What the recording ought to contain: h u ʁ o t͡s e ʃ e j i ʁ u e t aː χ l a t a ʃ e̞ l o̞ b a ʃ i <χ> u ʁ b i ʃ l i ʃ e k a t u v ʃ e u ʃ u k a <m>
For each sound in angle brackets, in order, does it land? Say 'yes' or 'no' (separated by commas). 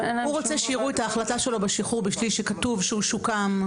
yes, yes